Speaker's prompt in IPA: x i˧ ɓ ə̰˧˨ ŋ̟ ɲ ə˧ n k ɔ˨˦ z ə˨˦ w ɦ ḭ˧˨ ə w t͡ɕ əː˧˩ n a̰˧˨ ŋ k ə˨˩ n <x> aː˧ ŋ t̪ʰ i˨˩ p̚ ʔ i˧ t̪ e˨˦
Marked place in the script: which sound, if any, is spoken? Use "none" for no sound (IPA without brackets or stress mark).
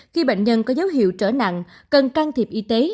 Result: k